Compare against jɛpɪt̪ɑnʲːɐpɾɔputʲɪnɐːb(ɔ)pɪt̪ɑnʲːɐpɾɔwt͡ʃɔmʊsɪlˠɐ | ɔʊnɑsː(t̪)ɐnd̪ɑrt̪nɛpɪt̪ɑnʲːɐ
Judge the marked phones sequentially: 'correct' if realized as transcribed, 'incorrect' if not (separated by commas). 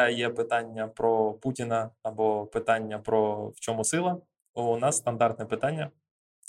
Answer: correct, correct